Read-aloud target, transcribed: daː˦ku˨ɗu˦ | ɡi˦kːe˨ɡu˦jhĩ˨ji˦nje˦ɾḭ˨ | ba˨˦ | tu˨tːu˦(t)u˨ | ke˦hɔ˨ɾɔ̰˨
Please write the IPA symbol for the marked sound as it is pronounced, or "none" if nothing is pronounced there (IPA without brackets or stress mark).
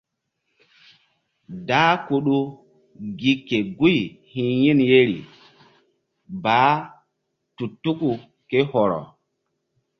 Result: k